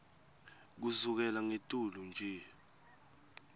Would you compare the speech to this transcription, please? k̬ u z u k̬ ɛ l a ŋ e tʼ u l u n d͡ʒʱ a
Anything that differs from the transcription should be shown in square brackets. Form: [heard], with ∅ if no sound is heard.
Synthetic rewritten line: k̬ u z u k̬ ɛ l a ŋ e tʼ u l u n d͡ʒʱ [ɛ]